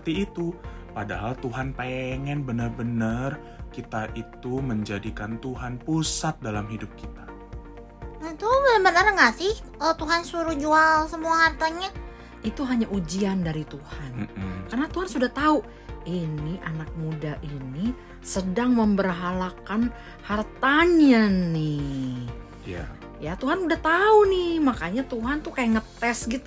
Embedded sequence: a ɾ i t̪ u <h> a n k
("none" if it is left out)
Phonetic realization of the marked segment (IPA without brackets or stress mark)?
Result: h